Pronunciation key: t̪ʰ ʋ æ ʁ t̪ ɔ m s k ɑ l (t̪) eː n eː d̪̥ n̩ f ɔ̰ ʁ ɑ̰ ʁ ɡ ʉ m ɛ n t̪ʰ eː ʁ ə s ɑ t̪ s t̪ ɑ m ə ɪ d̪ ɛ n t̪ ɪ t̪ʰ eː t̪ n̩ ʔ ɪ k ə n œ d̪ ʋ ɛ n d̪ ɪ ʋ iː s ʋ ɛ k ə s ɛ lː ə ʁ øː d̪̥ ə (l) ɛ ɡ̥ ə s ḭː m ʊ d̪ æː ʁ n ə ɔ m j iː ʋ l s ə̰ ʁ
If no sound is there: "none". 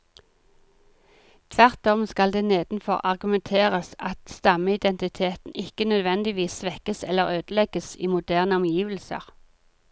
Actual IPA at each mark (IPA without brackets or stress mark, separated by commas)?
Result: d̪, l